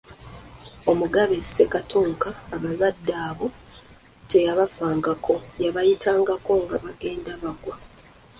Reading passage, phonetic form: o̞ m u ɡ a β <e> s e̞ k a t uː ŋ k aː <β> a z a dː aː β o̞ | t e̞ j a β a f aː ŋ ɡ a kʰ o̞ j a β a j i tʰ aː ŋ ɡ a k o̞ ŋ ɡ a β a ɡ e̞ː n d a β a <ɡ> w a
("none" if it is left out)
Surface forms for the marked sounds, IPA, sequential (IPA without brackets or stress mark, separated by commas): e, β, ɡ